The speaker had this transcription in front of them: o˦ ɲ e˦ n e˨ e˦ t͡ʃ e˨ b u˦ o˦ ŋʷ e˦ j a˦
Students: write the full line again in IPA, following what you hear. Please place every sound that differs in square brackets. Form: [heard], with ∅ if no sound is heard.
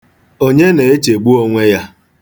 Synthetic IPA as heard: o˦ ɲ e˦ n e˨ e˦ t͡ʃ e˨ [ɡ͡b] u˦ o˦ ŋʷ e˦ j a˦